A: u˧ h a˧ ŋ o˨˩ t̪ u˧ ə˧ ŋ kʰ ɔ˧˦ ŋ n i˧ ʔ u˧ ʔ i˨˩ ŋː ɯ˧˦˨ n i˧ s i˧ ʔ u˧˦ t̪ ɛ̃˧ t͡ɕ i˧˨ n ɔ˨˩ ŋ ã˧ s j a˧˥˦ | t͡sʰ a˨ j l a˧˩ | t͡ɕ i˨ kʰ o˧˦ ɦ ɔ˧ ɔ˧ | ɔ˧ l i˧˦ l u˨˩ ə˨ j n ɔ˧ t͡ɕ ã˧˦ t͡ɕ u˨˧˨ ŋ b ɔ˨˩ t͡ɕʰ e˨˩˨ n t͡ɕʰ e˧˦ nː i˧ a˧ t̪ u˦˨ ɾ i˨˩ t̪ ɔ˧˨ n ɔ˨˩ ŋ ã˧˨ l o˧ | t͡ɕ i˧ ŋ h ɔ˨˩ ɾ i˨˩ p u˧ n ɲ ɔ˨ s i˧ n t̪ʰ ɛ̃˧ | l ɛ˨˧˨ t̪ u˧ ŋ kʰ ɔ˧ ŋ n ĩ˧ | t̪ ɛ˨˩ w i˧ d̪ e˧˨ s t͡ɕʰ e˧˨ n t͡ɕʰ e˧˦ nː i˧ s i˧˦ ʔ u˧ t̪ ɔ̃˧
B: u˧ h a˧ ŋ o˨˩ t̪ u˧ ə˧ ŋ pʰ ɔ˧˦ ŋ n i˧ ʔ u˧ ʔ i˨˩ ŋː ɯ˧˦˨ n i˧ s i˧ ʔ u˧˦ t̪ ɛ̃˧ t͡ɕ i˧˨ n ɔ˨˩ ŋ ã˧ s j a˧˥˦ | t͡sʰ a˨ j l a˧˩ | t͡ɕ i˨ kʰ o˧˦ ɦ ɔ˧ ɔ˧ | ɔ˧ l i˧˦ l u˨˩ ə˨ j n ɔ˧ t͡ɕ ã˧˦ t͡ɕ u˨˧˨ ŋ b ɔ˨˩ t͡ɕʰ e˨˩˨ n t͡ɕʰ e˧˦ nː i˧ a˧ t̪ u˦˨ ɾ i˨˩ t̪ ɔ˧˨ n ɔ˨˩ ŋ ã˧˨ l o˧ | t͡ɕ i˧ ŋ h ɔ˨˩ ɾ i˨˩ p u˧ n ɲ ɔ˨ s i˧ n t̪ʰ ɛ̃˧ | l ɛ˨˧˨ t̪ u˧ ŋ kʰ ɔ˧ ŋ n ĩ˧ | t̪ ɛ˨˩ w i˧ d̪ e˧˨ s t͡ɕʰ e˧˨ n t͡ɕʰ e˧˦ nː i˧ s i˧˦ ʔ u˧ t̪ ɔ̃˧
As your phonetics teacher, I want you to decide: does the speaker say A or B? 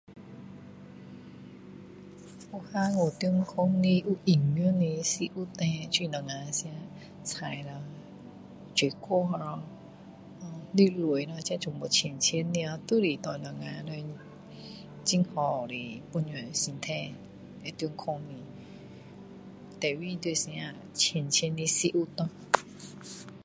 A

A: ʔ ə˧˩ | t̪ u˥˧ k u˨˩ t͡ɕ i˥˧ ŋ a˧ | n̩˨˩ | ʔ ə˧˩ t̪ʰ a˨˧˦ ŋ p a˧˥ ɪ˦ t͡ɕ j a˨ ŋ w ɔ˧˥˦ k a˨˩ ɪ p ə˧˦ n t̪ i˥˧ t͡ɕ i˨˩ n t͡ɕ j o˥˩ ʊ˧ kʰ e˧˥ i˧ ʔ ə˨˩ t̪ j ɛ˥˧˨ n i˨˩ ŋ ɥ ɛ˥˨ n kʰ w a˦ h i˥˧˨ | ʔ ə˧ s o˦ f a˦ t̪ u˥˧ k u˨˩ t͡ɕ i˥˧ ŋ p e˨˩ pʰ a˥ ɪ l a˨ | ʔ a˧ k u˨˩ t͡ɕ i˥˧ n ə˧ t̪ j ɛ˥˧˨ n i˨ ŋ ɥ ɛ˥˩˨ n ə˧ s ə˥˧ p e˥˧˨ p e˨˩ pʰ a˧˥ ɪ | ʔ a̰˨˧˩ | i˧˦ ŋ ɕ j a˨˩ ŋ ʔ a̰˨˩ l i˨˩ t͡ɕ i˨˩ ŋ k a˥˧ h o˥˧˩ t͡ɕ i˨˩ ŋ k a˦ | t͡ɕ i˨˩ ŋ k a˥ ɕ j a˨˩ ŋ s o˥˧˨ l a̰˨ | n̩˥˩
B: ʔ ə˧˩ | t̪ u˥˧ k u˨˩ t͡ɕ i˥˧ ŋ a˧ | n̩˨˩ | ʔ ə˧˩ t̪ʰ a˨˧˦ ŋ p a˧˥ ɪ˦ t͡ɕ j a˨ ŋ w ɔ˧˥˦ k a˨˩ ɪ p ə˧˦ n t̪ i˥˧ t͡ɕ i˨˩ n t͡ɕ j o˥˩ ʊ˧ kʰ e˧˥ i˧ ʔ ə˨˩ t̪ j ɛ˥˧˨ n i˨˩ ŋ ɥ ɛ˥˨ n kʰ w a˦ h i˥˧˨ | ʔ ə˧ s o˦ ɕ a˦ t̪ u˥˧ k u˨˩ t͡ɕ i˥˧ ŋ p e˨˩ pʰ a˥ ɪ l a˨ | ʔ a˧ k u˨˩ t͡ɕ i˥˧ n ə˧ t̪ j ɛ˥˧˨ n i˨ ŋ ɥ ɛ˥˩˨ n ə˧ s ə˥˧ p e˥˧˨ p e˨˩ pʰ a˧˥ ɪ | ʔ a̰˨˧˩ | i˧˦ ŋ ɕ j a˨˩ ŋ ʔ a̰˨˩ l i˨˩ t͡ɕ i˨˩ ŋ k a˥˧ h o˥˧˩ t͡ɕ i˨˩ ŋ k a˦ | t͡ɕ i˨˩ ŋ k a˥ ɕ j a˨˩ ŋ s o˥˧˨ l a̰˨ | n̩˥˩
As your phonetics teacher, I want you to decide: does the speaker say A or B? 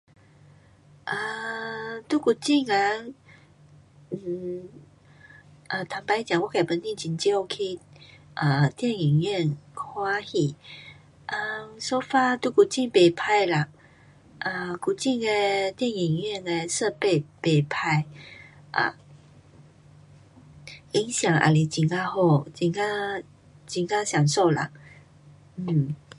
A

